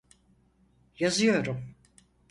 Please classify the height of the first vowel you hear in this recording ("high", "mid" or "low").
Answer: low